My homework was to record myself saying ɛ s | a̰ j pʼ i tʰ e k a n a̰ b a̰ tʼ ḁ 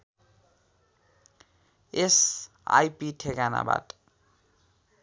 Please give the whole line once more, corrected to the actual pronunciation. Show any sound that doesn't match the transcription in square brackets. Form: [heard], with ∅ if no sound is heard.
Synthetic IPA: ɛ s | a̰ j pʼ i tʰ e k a n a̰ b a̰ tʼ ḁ

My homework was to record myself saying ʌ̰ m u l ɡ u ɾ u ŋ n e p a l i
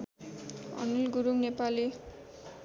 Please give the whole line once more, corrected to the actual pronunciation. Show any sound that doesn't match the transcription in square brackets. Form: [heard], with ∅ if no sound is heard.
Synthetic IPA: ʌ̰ [n] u l ɡ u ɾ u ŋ n e p a l i

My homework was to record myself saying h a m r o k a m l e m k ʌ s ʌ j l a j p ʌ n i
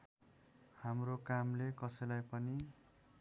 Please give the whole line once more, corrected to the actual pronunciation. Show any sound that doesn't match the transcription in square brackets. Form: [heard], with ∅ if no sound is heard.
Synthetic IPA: h a m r o k a m l e [∅] k ʌ s ʌ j l a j p ʌ n i

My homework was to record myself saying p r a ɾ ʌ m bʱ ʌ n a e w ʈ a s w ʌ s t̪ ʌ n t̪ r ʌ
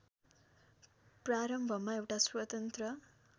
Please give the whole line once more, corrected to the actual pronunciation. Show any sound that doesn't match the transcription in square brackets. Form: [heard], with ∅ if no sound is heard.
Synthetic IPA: p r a ɾ ʌ m bʱ ʌ [m] a e w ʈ a s w ʌ [∅] t̪ ʌ n t̪ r ʌ

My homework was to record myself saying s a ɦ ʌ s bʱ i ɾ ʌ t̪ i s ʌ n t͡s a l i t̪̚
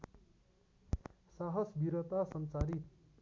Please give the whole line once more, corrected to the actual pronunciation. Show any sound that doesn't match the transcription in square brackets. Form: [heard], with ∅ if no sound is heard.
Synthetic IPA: s a ɦ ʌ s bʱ i ɾ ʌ t̪ [a] s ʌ n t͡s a [ɾ] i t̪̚

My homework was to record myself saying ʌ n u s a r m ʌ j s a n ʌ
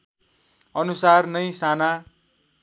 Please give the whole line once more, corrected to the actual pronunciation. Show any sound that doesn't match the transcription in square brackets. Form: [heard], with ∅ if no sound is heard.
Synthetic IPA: ʌ n u s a r [n] ʌ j s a n [a]

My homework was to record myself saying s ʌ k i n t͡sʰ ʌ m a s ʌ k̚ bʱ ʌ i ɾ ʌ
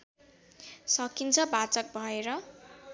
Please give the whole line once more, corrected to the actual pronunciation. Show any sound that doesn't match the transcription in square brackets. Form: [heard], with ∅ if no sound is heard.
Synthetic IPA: s ʌ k i n t͡sʰ ʌ [b] a [t͡s] ʌ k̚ bʱ ʌ [e] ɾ ʌ

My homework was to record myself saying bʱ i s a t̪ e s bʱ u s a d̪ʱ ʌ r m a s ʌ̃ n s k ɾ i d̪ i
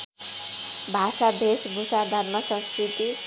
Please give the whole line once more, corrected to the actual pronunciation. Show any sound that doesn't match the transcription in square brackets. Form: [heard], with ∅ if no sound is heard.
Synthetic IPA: bʱ [a] s a [d̪] e s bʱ u s a d̪ʱ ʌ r m [ʌ] s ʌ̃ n s k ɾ i [t̪] i

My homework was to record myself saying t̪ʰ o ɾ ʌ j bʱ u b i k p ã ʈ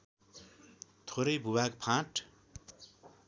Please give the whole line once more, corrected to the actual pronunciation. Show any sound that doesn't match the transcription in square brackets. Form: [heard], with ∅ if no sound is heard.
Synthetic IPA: t̪ʰ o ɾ ʌ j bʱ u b [a] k [pʰ] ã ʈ

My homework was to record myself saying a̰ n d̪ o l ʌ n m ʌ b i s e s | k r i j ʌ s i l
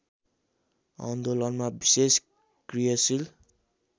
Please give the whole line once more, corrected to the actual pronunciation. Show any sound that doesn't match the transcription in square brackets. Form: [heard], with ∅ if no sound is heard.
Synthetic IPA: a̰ n d̪ o l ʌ n m [a] b i s e s | k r i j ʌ s i l

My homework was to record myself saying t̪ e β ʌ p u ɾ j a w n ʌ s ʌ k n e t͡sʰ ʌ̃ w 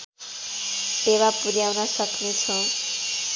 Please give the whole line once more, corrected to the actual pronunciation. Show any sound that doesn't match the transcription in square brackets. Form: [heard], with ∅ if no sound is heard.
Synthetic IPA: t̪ e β [a] p u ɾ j a w n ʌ s ʌ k n e t͡sʰ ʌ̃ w

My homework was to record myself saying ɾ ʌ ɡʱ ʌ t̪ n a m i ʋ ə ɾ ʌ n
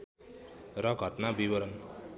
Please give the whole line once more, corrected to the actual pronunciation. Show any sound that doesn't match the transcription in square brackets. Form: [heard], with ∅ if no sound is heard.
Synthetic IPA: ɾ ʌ ɡʱ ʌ t̪ n a [b] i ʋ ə ɾ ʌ n

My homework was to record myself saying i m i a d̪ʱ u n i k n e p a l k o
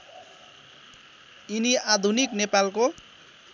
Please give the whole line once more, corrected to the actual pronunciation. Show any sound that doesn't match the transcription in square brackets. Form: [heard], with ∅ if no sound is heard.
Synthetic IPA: i [n] i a d̪ʱ u n i k n e p a l k o

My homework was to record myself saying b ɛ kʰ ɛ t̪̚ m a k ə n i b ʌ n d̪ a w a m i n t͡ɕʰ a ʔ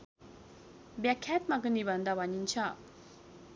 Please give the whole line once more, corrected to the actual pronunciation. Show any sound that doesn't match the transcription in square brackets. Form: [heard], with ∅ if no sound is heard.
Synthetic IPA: b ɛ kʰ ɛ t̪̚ m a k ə n i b [a] n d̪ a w a [ɲ] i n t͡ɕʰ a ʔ

